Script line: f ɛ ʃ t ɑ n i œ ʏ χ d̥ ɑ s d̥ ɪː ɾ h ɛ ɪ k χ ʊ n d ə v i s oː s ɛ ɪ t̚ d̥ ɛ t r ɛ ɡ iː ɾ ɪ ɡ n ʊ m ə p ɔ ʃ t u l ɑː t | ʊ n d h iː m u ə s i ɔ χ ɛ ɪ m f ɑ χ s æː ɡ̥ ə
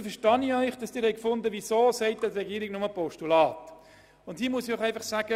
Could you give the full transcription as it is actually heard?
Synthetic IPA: f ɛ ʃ t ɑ n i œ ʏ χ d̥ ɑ s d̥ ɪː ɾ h ɛ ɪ k f ʊ n d ə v i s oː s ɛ ɪ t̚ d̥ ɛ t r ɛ ɡ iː ɾ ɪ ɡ n ʊ m ə p ɔ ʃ t u l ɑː t | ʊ n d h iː m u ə s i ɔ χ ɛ ɪ f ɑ χ s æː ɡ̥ ə

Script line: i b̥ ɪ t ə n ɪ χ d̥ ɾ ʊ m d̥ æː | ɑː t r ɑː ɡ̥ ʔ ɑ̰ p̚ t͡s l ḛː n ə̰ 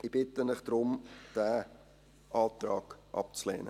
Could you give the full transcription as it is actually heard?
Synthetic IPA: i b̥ ɪ t ə n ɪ χ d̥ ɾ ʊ m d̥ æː | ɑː t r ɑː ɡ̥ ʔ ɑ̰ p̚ t͡s l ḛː n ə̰

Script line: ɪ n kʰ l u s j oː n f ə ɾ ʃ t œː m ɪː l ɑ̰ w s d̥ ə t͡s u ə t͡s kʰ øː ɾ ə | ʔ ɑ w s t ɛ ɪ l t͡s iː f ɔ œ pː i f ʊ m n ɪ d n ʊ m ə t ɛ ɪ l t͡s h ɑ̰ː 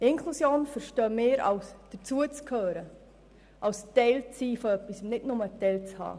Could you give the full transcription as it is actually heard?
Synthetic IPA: ɪ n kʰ l u s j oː n f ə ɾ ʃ t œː m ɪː ɾ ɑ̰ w s d̥ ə t͡s u ə t͡s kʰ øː ɾ ə | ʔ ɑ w s t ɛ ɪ l t͡s iː f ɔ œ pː i s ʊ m n ɪ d n ʊ m ə t ɛ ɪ l t͡s h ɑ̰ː

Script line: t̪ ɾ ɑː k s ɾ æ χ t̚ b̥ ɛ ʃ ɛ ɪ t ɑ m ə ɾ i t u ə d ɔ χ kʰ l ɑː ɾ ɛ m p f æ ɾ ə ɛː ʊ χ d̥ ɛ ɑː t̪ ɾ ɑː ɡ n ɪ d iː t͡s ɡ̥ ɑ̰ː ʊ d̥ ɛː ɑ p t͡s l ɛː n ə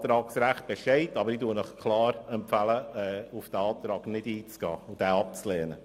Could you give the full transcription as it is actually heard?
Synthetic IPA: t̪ ɾ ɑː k s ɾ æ χ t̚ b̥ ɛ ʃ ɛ ɪ t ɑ b ə ɾ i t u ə n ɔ χ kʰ l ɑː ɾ ɛ m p f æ l ə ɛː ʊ f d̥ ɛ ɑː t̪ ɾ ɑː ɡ n ɪ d iː t͡s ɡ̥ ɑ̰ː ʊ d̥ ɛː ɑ p t͡s l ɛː n ə

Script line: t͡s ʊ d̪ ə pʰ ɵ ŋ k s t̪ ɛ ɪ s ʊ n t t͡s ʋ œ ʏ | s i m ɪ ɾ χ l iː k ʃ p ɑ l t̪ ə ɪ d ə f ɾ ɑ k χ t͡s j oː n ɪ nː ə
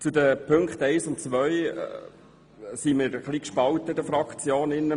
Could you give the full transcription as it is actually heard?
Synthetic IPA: t͡s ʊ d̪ ə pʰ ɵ ŋ k χ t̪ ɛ ɪ s ʊ n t t͡s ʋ œ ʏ | s i m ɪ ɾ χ l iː k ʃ p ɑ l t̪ ə ɪ d ə f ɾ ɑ k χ t͡s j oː n ɪ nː ə

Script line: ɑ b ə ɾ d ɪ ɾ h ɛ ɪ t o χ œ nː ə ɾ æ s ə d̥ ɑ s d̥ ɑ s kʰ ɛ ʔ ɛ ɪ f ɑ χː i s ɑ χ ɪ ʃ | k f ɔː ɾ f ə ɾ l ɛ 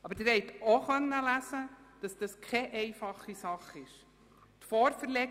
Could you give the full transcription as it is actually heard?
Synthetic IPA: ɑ b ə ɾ d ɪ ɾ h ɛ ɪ t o χ œ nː ə l æ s ə d̥ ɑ s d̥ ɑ s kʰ ɛ ʔ ɛ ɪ f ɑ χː i s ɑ χ ɪ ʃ | t f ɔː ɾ f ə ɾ l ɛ

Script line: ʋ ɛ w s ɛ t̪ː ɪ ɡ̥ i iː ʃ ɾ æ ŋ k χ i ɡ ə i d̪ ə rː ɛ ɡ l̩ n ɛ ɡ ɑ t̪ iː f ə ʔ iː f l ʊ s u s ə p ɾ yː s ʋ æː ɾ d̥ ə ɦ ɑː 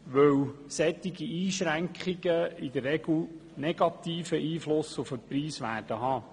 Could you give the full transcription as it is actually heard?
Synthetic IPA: ʋ œ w s ɛ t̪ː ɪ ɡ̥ i iː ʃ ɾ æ ŋ k χ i ɡ ə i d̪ ə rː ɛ ɡ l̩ n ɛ ɡ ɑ t̪ iː f ə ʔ iː f l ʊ s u f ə p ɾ iː s ʋ æː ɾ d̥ ə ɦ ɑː

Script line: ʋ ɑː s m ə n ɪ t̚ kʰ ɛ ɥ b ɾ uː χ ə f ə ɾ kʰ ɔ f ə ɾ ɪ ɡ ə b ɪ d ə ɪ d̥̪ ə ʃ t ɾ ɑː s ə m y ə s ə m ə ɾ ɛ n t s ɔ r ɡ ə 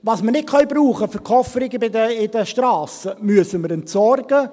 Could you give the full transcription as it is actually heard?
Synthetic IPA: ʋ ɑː s m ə n ɪ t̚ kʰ œ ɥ b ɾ uː χ ə f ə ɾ kʰ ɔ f ə ɾ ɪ ɡ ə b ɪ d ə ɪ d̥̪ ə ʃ t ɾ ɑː s ə m y ə s ə m ə ɾ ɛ n t s ɔ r ɡ ə

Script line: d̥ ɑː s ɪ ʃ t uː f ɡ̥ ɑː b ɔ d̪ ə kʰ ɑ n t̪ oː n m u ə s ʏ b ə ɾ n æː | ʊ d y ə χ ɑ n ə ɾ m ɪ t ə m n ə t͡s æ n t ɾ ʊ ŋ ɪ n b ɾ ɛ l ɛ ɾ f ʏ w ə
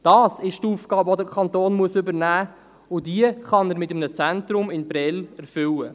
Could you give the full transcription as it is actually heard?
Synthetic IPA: d̥ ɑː s ɪ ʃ t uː f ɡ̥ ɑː b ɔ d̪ ə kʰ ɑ n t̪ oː n m u ə s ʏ b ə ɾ n æː | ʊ d i ə χ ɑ n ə ɾ m ɪ t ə m n ə t͡s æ n t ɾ ʊ m ɪ n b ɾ ɛ l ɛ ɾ f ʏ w ə

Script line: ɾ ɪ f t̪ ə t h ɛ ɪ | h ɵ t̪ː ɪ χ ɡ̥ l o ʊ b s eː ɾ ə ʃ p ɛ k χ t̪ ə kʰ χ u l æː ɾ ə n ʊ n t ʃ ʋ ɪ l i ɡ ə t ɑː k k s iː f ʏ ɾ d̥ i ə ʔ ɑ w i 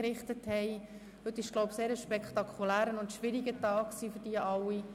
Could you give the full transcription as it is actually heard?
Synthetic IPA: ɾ ɪ χ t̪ ə t h ɛ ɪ | h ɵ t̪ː ɪ ʃ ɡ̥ l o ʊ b s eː ɾ ə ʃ p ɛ k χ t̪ ɑ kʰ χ u l æː ɾ ə n ʊ n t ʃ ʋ ɪ ɾ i ɡ ə t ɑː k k s iː f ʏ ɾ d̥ i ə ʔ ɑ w i

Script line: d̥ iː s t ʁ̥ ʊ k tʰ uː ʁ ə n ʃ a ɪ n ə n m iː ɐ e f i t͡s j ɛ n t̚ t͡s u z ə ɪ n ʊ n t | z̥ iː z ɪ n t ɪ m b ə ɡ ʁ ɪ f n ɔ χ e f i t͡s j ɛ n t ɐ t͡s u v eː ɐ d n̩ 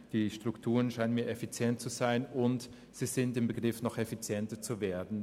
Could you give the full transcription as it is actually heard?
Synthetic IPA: d̥ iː ʃ t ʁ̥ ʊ k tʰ uː ʁ ə n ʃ a ɪ n ə n m iː ɐ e f i t͡s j ɛ n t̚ t͡s u z a ɪ n ʊ n t | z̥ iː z ɪ n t ɪ m b ə ɡ ʁ ɪ f n ɔ χ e f i t͡s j ɛ n t ɐ t͡s u v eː ɐ d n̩

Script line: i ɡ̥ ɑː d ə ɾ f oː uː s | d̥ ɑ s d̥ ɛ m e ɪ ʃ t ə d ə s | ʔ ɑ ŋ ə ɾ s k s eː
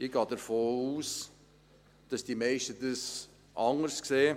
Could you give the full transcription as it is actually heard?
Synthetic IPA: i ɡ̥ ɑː d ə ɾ f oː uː s | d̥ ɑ s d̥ i m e ɪ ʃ t ə d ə s | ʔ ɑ ŋ ə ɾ s k s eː

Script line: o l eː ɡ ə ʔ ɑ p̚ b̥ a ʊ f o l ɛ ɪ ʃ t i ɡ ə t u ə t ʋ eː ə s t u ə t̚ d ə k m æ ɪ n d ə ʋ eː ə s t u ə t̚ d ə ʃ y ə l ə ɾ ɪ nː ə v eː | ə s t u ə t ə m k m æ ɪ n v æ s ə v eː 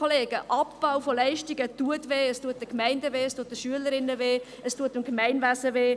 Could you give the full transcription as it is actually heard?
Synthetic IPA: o l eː ɡ ə ʔ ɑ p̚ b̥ a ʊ f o l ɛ ɪ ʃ t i ɡ ə t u ə t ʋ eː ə s t u ə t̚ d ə k m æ ɪ n d ə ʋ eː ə s t u ə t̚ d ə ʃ y ə l ə ɾ ɪ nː ə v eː | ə s t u ə t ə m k m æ ɪ n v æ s ə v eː

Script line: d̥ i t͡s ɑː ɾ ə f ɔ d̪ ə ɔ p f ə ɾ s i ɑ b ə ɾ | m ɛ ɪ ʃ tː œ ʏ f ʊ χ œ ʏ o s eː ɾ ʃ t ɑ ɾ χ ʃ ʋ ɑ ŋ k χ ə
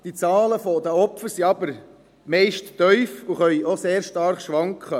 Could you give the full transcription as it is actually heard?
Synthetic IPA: d̥ i t͡s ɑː l ə f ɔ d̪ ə ɔ p f ə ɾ s i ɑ b ə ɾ | m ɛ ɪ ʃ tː œ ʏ f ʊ χ œ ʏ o s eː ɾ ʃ t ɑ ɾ χ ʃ ʋ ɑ ŋ k χ ə

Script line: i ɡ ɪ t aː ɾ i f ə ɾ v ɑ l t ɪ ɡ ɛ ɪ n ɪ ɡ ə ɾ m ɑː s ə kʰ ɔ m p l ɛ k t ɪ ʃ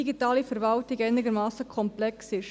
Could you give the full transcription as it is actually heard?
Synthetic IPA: i ɡ i t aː l i f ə ɾ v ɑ l t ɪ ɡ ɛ ɪ n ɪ ɡ ə ɾ m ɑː s ə kʰ ɔ m p l ɛ k s ɪ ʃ

